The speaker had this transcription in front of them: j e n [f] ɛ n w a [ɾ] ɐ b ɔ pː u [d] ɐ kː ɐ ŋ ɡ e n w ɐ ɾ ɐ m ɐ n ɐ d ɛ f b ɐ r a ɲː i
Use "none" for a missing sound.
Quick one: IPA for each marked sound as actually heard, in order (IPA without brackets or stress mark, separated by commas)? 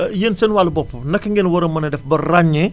s, l, n